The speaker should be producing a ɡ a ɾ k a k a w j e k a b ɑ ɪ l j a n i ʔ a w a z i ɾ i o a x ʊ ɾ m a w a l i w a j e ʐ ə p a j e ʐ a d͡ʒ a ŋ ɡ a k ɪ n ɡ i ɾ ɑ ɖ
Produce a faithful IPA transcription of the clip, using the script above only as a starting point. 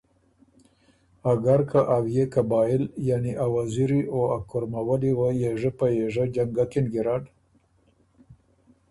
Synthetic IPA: a ɡ a ɾ k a ʔ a w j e k a b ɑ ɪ l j a n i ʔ a w a z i ɾ i o a k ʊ ɾ m a w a l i w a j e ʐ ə p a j e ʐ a d͡ʒ a ŋ ɡ a k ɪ n ɡ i ɾ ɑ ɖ